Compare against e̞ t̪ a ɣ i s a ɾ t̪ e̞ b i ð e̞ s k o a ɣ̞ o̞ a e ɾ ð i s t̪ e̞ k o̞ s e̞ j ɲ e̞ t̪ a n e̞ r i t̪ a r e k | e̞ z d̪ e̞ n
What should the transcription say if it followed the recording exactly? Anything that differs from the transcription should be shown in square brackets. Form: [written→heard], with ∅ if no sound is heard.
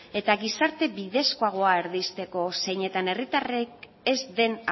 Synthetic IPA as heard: e̞ t̪ a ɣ i s a ɾ t̪ e̞ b i ð e̞ s k o a ɣ̞ o̞ a e ɾ ð i s t̪ e̞ k o̞ s e̞ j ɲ e̞ t̪ a n e̞ r i t̪ a r e k | e̞ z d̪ e̞ n